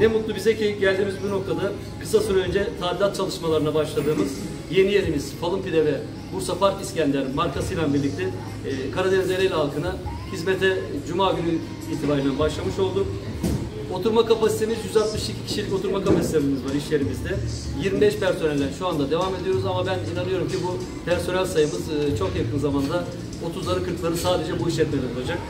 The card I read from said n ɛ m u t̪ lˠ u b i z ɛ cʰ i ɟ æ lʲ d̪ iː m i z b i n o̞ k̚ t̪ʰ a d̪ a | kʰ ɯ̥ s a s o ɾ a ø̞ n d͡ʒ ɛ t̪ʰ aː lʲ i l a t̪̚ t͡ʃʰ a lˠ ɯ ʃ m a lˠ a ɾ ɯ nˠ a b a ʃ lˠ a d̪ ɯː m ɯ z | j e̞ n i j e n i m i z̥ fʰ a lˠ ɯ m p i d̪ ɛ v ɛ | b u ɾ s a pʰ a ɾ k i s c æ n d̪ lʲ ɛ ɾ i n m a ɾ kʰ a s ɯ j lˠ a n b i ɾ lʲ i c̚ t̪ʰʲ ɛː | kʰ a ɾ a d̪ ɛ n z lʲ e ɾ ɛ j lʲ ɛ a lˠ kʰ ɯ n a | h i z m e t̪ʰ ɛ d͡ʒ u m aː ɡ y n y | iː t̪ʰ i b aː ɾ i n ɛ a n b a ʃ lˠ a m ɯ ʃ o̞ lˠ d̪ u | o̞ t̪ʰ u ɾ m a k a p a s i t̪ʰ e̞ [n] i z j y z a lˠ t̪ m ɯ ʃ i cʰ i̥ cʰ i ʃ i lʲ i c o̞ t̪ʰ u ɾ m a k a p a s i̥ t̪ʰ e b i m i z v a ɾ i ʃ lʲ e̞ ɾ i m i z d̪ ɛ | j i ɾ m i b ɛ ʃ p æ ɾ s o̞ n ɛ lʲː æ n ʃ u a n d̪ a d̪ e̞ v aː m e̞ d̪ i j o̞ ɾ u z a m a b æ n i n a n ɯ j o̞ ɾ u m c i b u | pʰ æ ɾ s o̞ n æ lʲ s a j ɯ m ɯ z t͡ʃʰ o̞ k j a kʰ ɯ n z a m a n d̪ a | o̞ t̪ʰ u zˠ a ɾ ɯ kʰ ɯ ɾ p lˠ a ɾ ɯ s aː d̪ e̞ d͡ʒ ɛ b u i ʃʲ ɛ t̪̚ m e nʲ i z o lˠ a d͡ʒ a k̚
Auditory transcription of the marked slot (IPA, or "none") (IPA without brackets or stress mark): m